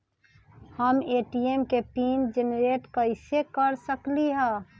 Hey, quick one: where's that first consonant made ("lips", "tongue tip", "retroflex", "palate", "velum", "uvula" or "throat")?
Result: throat